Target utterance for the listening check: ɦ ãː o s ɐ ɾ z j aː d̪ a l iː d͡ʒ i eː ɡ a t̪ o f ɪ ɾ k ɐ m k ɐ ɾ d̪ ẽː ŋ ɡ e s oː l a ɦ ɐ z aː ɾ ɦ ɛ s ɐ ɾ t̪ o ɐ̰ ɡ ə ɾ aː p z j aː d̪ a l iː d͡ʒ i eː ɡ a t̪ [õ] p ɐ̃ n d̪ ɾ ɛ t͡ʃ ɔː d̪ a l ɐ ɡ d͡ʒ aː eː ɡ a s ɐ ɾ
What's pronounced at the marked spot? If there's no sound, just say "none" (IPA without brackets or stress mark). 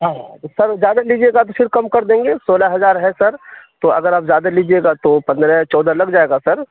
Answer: o